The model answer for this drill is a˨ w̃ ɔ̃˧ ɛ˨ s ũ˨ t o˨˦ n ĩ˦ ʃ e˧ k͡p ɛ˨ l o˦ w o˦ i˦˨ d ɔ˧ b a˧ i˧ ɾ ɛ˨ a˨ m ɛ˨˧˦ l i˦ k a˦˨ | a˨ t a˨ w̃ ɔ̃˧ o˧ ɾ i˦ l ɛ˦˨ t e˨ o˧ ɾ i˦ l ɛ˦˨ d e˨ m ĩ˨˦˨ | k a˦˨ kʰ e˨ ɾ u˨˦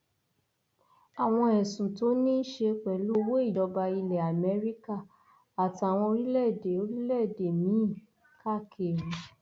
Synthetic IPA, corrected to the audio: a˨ w̃ ɔ̃˧ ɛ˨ s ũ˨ t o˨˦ n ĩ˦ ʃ e˧ k͡p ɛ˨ l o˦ w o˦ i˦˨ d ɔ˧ b a˧ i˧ l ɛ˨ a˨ m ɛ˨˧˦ ɾ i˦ k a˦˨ | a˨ t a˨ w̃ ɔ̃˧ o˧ ɾ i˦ l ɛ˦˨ d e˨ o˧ ɾ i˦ l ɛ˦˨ d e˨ m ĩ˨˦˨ | k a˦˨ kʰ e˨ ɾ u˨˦